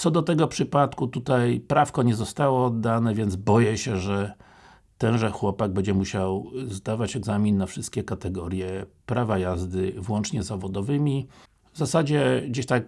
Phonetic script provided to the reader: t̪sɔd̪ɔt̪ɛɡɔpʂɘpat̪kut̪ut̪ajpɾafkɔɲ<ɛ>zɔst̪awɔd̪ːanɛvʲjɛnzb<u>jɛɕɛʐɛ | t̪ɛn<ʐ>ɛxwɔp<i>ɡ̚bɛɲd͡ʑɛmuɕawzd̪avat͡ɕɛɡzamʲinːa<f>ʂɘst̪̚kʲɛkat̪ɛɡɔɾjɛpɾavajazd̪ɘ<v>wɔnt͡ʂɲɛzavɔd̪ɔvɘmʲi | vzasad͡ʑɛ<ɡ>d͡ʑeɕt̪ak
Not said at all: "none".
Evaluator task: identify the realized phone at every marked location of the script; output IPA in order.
ɛ, ɔ, ʐ, a, f, v, ɡ

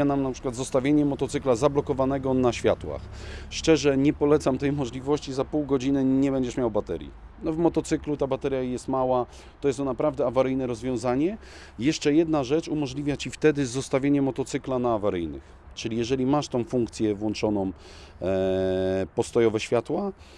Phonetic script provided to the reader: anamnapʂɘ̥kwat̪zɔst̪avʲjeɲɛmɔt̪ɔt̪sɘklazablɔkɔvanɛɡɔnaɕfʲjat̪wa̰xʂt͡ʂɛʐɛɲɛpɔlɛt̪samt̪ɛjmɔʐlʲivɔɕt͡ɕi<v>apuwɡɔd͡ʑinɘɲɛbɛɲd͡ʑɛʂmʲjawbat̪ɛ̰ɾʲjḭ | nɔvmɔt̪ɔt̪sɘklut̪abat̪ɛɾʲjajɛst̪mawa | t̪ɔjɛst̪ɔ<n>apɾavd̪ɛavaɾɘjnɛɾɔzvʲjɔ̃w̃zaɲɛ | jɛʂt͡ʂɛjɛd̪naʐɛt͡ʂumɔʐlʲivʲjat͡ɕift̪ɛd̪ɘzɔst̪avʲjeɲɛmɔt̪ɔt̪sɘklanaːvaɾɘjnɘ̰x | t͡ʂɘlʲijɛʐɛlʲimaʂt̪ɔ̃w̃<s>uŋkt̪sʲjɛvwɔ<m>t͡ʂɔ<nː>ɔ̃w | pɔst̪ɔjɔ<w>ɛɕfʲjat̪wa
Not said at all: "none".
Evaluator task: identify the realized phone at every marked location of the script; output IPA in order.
z, n, f, n, n, v

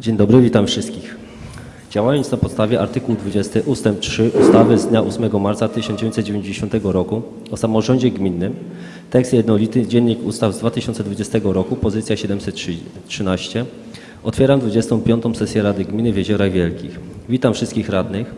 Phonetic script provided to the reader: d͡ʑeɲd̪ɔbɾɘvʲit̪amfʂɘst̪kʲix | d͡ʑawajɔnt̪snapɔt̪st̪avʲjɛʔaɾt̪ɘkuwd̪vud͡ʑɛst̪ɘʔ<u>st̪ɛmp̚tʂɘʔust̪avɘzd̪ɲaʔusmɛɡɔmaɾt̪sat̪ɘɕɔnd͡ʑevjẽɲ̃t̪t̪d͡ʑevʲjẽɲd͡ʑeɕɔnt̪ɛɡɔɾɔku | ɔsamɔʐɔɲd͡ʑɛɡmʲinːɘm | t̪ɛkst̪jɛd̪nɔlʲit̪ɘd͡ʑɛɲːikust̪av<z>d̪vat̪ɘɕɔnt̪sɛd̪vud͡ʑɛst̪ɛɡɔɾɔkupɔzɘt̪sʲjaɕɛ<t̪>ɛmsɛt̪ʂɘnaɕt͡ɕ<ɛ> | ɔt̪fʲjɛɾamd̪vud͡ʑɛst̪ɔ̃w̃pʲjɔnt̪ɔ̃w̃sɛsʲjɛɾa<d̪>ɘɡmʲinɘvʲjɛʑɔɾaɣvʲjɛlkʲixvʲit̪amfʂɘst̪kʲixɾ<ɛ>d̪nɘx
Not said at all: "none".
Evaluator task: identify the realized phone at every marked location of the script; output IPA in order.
u, z, d̪, ɛ, d̪, a

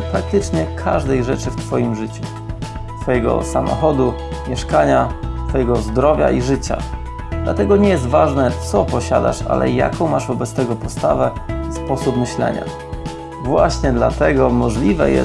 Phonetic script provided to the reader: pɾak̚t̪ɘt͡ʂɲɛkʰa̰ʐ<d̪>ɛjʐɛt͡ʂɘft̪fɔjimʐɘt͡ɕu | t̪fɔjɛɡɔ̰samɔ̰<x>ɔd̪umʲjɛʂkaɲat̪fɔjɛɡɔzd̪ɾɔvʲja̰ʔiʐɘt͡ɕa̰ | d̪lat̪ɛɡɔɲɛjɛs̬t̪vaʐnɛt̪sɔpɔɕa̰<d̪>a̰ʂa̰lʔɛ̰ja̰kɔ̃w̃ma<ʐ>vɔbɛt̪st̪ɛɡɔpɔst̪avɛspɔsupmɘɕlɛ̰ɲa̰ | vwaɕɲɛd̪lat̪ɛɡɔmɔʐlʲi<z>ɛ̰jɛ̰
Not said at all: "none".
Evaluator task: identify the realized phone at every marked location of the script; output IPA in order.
d̪, x, d̪, ʐ, v

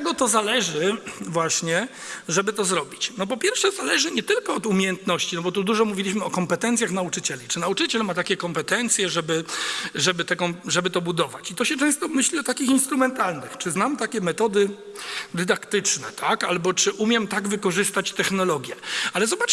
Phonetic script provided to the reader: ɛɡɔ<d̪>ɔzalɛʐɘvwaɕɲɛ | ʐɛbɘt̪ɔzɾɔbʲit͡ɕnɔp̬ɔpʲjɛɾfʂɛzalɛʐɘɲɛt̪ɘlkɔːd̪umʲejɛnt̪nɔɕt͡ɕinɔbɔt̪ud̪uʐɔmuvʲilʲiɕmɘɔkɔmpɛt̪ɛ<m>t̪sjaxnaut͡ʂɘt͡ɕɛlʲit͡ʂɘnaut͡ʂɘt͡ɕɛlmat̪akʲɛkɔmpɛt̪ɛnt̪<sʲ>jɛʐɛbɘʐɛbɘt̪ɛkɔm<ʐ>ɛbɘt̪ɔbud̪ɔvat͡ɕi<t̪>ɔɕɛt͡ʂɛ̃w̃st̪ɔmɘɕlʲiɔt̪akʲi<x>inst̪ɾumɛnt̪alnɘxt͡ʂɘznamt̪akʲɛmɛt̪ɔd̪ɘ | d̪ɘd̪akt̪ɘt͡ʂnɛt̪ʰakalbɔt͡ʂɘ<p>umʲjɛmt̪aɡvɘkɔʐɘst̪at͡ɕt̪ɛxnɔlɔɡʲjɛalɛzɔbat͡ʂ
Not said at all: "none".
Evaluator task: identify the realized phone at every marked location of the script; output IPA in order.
t̪, n, sʲ, ʐ, t̪, x, ʔ

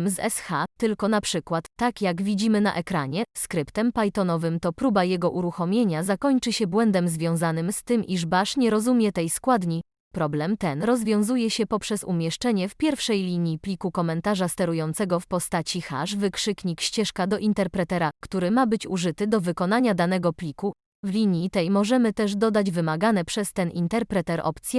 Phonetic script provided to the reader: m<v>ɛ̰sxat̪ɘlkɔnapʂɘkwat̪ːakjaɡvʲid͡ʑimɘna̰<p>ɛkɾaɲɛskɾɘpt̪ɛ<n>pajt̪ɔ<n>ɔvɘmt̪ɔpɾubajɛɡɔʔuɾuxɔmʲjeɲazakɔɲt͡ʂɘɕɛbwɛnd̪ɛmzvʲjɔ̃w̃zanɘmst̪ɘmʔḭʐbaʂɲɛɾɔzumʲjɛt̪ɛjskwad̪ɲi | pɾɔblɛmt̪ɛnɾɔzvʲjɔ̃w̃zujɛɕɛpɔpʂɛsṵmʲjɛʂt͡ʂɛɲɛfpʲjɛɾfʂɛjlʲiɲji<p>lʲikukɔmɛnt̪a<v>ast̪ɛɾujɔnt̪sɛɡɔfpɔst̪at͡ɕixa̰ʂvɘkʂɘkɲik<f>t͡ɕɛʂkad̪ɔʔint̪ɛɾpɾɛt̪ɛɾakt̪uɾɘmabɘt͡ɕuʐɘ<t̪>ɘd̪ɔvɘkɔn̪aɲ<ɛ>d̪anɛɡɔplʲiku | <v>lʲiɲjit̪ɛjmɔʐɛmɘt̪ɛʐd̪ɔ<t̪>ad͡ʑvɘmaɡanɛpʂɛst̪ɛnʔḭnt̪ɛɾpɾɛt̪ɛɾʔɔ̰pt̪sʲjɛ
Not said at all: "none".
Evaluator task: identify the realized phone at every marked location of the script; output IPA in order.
z, ʔ, m, n, p, ʐ, ɕ, t̪, a, v, d̪

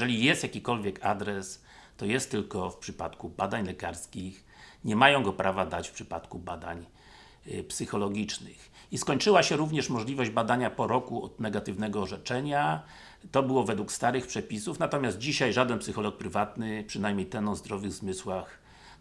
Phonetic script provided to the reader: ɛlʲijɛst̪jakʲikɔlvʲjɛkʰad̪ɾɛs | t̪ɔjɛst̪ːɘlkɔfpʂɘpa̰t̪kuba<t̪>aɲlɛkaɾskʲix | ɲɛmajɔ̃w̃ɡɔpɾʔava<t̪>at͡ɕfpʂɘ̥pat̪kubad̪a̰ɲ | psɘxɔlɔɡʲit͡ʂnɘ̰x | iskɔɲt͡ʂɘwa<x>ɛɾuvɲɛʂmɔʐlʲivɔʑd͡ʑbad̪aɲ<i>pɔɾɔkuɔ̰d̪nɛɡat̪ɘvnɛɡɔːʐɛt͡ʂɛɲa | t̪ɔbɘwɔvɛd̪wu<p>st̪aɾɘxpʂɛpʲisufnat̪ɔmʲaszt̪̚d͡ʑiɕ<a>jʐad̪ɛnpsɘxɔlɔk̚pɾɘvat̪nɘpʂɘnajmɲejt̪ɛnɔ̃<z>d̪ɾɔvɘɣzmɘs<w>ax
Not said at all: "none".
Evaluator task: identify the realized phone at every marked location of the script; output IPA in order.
d̪, d̪, ɕ, a, k, a, z, w

